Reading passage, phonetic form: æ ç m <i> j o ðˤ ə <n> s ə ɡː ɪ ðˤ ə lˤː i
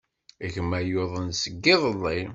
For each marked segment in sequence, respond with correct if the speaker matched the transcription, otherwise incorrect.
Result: incorrect: æ, correct

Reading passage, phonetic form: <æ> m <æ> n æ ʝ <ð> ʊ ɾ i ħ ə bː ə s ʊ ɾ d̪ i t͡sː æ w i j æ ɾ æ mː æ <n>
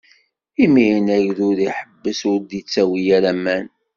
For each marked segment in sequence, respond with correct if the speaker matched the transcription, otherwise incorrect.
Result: incorrect: i, incorrect: i, correct, correct

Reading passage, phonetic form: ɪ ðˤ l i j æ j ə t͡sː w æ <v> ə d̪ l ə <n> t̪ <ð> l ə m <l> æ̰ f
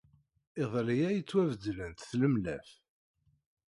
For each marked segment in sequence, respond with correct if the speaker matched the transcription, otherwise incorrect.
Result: correct, correct, incorrect: θ, correct

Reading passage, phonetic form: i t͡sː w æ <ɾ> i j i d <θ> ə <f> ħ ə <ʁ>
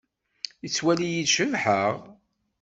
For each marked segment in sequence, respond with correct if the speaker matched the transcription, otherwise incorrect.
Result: incorrect: l, incorrect: ʃ, incorrect: v, correct

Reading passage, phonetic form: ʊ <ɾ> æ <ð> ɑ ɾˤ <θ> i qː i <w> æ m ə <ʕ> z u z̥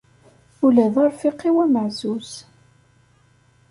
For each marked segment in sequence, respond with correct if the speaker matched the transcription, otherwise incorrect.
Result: incorrect: l, correct, incorrect: f, correct, correct

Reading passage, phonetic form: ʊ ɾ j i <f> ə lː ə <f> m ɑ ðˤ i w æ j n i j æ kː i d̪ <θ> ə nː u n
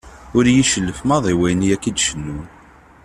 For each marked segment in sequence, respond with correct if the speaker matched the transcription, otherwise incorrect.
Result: incorrect: ʃ, correct, incorrect: ʃ

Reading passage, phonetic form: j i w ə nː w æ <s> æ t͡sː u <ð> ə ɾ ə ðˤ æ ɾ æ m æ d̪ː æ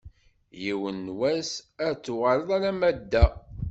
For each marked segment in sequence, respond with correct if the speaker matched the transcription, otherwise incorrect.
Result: correct, incorrect: ʁ

